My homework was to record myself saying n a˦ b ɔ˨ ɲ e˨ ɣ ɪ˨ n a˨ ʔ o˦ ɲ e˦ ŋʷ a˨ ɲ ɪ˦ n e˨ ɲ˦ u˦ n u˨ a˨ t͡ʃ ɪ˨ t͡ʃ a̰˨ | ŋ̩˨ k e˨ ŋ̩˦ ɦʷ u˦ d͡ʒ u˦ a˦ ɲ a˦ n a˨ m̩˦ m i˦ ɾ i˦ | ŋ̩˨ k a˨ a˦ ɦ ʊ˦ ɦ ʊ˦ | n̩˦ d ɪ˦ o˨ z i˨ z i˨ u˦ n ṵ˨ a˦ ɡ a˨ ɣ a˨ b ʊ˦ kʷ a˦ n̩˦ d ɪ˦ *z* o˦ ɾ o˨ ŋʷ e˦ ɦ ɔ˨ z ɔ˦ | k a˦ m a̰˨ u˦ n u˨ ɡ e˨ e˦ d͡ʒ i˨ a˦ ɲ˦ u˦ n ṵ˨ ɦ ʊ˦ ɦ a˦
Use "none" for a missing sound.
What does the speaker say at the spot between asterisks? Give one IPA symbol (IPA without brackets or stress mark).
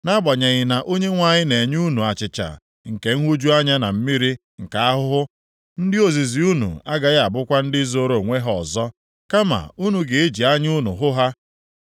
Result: z